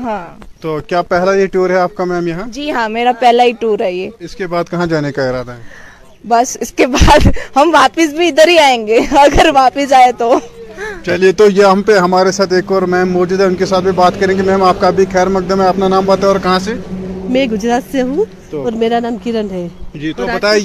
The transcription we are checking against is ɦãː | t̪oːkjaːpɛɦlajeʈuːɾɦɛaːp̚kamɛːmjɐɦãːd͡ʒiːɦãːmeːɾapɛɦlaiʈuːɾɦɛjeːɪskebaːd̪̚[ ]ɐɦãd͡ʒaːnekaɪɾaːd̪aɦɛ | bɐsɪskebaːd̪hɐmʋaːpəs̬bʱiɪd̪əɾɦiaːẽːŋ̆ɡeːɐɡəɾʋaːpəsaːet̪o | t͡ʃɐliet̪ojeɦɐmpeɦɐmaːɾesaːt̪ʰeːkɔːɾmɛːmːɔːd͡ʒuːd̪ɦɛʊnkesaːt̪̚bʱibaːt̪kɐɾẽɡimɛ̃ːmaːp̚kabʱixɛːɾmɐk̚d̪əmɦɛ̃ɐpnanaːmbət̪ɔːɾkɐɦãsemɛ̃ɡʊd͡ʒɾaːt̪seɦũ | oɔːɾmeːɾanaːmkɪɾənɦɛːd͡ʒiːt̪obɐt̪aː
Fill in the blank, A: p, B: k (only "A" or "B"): B